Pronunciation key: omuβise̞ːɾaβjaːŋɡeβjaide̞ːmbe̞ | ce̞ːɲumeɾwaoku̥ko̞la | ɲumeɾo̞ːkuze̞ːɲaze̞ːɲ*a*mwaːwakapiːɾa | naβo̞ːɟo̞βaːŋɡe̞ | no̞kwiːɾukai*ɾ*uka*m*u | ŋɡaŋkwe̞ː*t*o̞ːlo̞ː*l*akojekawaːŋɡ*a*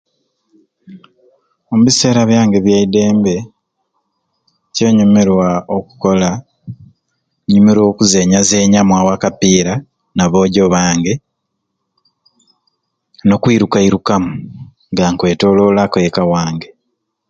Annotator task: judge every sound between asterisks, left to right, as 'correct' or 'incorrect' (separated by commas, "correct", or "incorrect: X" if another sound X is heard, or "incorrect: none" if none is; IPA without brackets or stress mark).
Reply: correct, correct, correct, correct, correct, incorrect: e